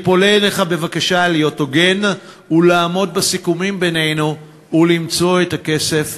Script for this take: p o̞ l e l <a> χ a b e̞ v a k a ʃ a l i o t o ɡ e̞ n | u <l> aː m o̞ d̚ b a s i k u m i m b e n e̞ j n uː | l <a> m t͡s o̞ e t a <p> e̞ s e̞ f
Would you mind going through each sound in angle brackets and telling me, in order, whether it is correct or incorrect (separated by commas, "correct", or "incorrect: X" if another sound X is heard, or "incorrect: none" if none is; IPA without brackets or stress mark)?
incorrect: e, correct, incorrect: i, incorrect: k